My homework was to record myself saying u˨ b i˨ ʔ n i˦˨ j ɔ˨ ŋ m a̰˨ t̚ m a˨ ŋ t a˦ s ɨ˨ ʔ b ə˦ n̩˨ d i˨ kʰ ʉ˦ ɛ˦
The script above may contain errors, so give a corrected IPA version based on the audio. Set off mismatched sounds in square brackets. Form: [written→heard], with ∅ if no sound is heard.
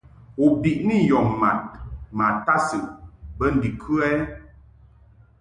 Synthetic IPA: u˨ b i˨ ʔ n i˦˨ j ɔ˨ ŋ m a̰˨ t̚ m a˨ [ŋ→∅] t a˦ s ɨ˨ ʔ b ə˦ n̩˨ d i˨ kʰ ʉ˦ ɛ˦